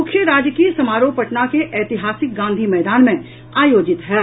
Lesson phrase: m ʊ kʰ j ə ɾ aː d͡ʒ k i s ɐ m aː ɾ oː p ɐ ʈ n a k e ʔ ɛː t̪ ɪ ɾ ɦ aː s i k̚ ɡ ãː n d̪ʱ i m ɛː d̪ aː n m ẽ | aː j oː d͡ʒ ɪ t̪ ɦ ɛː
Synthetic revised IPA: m ʊ kʰ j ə ɾ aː d͡ʒ k i s ɐ m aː ɾ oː p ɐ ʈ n a k e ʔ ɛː t̪ ɪ ɦ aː s ɪ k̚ ɡ ãː n d̪ʱ i m ɛː d̪ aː n m ẽ | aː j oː d͡ʒ ɪ t̪ ɦ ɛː